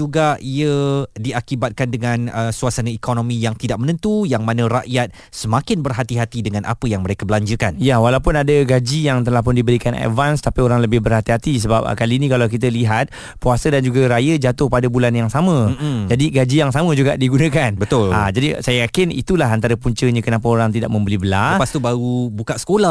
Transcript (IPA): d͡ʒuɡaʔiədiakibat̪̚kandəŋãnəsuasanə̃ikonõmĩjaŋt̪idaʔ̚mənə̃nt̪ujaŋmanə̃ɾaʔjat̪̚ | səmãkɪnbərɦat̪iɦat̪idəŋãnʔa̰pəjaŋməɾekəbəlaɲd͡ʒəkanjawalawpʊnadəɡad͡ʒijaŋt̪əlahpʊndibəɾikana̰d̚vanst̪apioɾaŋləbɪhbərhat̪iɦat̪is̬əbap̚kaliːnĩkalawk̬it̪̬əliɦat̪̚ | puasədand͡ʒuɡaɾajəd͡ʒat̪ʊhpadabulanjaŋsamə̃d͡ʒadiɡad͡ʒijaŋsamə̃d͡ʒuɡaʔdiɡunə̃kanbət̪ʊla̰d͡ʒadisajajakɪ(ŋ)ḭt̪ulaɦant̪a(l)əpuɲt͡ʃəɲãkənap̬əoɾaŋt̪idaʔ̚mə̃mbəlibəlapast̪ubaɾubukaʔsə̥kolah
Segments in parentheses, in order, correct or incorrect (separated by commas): incorrect, incorrect